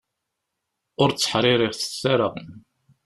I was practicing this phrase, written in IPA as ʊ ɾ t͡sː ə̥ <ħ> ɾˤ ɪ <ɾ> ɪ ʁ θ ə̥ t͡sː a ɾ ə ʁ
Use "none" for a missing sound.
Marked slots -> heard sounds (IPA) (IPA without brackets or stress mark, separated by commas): ħ, ɾ